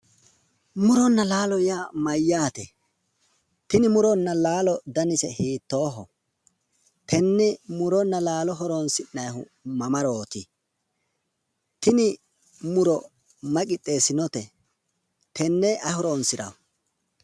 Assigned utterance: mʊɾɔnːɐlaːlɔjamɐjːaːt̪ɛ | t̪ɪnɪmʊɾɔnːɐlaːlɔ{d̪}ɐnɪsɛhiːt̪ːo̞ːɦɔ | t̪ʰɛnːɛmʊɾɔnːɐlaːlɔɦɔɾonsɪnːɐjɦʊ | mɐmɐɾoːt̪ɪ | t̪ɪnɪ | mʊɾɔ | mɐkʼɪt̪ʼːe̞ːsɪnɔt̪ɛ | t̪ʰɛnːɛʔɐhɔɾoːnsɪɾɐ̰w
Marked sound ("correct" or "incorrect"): correct